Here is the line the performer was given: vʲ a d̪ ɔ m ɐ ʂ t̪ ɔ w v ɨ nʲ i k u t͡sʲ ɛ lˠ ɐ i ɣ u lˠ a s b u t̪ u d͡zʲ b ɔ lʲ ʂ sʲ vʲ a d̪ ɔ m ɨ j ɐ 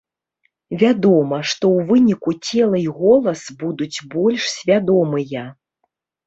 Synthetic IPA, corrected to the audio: vʲ a d̪ ɔ m ɐ ʂ t̪ ɔ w v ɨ nʲ i k u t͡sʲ ɛ lˠ ɐ i ɣ ɔ lˠ ɐ s b u d̪ u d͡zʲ b ɔ lʲ ʂ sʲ vʲ a d̪ ɔ m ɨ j ɐ